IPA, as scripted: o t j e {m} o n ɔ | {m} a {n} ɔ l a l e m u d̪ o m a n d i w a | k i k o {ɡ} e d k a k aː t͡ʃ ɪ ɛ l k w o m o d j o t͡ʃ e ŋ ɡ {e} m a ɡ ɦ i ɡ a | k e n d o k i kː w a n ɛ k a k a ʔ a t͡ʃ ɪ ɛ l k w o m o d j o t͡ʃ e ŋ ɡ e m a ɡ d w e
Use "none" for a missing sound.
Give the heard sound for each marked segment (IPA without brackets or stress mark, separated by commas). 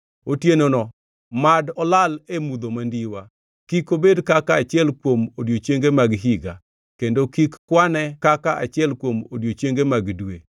n, m, d, b, e